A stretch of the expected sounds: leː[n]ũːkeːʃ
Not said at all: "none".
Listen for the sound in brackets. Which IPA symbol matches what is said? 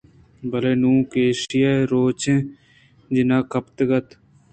n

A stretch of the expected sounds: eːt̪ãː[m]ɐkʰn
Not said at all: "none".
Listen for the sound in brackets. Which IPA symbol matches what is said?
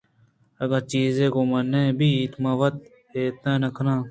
n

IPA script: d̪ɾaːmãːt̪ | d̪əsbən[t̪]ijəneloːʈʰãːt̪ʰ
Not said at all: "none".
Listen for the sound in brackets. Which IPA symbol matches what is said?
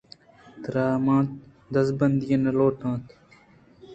d̪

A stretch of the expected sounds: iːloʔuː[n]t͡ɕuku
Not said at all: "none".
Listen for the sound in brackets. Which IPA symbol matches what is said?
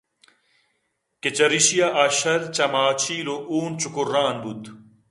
n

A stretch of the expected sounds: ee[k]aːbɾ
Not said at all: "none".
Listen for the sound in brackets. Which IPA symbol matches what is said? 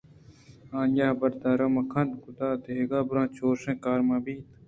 ɡ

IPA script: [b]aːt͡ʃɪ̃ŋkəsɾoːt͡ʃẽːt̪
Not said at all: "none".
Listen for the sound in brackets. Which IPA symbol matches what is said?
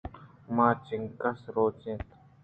m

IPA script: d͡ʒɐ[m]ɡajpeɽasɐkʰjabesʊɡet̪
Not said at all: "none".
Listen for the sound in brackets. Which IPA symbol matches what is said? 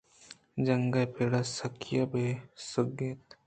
ŋ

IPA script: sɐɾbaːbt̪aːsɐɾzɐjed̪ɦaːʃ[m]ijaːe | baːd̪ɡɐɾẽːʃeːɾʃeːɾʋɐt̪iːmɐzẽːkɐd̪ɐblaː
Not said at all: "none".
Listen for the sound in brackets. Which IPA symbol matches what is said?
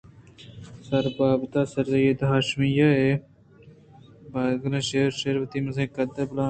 m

